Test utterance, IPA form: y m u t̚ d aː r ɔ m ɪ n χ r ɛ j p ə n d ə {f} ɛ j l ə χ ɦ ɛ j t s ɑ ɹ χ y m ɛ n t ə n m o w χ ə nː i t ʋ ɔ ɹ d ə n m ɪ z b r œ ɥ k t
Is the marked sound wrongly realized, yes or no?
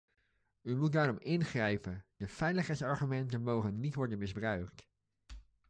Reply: no